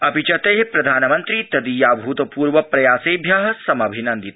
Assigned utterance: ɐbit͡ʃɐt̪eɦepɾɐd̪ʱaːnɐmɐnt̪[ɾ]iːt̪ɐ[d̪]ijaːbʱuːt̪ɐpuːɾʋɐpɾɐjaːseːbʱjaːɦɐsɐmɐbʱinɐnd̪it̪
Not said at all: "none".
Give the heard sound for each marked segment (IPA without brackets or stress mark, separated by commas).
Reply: ɾ, d̪